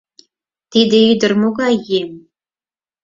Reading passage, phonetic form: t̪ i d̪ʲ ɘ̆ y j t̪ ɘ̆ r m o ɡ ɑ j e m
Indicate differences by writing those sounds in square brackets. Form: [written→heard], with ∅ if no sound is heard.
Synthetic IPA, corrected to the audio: t̪ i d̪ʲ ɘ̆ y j [t̪→d̪] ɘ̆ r m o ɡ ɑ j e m